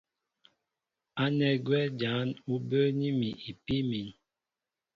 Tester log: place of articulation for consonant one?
alveolar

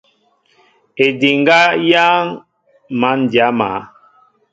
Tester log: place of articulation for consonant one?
alveolar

